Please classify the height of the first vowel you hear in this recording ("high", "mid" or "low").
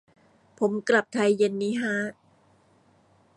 mid